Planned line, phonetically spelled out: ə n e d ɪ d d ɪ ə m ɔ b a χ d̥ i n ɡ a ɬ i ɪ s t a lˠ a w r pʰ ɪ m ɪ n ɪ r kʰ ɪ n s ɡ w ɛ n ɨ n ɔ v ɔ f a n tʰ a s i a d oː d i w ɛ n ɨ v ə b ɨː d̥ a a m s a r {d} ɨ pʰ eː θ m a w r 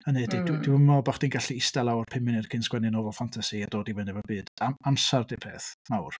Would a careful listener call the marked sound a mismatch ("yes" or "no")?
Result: no